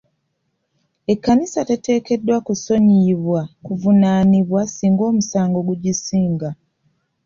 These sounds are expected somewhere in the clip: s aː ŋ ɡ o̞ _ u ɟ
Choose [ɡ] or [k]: ɡ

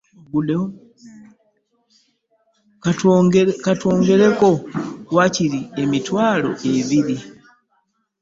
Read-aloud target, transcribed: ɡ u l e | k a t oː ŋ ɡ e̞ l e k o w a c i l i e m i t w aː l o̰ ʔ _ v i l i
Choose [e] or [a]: e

